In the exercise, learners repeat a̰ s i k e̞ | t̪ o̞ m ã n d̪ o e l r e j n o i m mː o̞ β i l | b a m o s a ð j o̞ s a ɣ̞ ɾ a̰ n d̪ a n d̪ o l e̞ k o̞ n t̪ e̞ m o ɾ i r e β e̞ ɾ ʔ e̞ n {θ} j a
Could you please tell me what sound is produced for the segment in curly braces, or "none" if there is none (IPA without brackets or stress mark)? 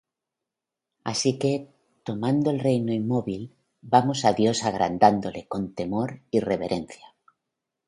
θ